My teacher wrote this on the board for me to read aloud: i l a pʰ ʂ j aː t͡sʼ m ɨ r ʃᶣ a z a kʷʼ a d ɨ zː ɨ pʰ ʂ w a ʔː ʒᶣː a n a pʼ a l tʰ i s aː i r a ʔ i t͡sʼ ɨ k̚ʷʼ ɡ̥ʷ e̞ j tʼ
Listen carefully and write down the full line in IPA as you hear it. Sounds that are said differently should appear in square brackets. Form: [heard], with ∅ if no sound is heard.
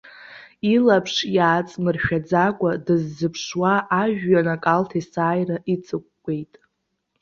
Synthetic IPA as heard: i l a pʰ ʂ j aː t͡sʼ m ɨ r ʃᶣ a [d͡z] a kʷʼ a d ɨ zː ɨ pʰ ʂ w a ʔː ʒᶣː a n a [kʼ] a l tʰ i s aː [j] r a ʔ i t͡sʼ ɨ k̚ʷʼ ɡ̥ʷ e̞ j tʼ

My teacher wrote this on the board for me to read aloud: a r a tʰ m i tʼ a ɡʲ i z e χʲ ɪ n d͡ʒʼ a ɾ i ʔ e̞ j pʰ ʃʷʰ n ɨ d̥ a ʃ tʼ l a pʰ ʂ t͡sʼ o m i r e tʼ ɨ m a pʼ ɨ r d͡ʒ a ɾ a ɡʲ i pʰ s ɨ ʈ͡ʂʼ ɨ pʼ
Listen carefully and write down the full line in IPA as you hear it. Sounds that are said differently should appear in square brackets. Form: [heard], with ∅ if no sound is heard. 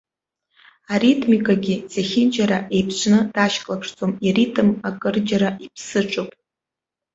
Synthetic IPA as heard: a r [i] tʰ m i [kʼ] a ɡʲ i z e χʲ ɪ n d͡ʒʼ a ɾ [a] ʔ e̞ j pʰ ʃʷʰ n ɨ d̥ a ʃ [kʼ] l a pʰ ʂ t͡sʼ o m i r [i] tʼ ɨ m a [kʼ] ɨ r d͡ʒ a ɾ a [∅] i pʰ s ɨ ʈ͡ʂʼ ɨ pʼ

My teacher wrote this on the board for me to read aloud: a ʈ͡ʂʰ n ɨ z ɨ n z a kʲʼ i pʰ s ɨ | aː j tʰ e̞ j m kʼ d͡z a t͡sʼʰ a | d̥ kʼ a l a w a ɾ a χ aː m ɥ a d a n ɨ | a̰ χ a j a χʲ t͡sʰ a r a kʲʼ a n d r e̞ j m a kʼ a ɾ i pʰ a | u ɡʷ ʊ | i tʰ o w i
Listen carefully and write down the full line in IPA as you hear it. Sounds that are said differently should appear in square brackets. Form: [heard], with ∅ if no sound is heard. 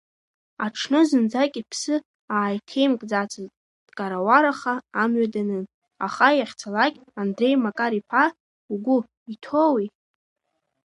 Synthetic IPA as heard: a ʈ͡ʂʰ n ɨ z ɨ n [d͡z] a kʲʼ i pʰ s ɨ | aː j tʰ e̞ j m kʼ d͡z a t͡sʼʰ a | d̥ kʼ a [ɾ] a w a ɾ a χ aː m ɥ a d a n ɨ | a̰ χ a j a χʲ t͡sʰ a [l] a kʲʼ a n d r e̞ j m a kʼ a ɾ i pʰ a | u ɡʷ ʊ | i tʰ o w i

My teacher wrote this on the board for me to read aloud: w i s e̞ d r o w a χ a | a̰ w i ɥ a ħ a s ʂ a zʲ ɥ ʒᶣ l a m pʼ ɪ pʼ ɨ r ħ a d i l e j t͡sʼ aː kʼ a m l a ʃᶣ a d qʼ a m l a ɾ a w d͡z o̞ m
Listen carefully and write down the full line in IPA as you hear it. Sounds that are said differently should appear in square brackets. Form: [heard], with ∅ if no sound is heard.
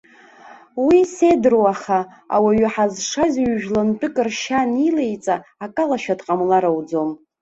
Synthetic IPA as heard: w i s e̞ d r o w a χ a | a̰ w [a] ɥ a ħ a [z] ʂ a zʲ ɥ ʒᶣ l a [n] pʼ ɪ [kʼ] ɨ r [ʃ] a [n] i l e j t͡sʼ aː kʼ a [∅] l a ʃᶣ a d qʼ a m l a ɾ a w d͡z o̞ m

